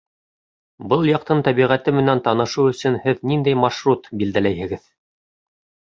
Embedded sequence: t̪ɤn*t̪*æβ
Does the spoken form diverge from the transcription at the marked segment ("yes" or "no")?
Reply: no